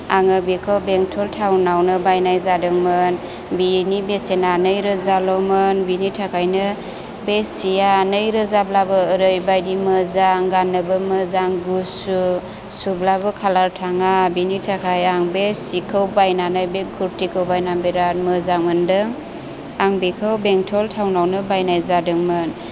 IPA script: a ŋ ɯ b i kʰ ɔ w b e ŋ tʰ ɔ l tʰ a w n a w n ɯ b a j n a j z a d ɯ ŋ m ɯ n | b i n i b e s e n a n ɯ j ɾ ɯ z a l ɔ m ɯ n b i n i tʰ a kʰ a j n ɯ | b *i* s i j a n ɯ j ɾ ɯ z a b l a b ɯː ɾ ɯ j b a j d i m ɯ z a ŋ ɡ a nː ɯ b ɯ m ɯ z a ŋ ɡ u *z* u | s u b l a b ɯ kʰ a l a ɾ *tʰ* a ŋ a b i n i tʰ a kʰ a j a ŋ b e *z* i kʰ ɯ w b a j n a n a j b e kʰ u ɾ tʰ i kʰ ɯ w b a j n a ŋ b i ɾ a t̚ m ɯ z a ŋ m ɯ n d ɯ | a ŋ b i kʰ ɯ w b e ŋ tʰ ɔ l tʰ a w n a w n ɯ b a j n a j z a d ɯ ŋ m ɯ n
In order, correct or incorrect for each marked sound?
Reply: incorrect, incorrect, correct, incorrect

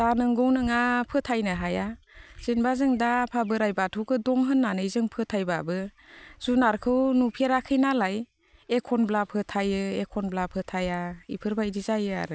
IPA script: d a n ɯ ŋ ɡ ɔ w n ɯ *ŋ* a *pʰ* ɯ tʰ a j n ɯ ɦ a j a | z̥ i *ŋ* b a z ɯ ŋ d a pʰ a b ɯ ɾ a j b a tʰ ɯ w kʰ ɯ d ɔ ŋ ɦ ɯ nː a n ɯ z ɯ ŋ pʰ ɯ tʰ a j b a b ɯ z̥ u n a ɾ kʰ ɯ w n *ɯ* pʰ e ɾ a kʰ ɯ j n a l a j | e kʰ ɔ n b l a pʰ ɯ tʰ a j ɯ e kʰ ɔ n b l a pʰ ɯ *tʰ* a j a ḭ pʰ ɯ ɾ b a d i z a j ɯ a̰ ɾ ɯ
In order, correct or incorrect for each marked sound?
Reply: correct, correct, incorrect, incorrect, correct

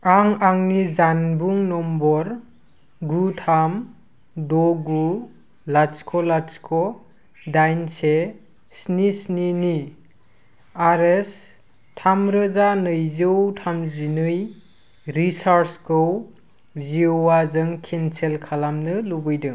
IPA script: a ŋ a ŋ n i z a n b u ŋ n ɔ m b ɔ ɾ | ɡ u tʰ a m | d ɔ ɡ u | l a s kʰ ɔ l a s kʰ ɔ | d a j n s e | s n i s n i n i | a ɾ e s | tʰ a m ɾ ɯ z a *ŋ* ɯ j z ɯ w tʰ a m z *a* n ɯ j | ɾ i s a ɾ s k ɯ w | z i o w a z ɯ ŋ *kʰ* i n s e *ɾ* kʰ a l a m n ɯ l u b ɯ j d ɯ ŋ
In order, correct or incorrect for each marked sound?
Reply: incorrect, incorrect, correct, incorrect

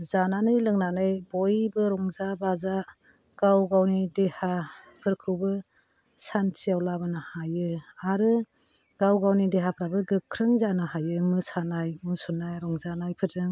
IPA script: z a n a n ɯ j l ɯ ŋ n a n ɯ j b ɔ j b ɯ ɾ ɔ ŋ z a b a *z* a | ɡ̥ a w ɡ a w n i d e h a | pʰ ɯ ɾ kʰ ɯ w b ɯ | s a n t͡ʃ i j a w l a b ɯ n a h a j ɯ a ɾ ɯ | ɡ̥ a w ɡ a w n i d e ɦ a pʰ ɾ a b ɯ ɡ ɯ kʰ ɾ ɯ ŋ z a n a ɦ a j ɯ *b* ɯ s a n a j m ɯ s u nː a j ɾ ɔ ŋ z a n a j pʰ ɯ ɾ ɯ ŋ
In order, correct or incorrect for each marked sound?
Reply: correct, incorrect

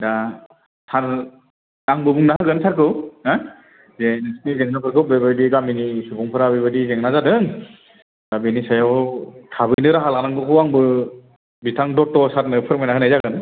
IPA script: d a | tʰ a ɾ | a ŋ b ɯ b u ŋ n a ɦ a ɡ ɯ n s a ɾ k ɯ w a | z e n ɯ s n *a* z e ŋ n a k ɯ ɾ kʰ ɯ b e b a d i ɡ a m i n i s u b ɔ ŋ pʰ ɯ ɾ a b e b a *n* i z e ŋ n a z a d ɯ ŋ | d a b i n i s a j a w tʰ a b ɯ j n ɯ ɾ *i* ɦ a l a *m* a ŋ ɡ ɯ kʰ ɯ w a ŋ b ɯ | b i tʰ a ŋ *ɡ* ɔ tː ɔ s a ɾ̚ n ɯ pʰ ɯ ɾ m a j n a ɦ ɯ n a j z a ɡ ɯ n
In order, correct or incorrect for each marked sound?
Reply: incorrect, incorrect, incorrect, incorrect, incorrect

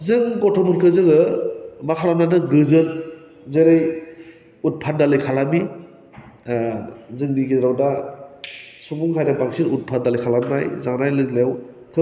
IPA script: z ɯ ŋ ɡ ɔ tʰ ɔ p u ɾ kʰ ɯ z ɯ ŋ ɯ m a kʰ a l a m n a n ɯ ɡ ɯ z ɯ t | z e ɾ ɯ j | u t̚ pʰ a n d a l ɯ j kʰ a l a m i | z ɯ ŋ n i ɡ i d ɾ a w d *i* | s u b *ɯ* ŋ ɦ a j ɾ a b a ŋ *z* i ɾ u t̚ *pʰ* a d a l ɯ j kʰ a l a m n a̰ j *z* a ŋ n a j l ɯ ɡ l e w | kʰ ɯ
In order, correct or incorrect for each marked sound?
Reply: incorrect, incorrect, incorrect, correct, correct

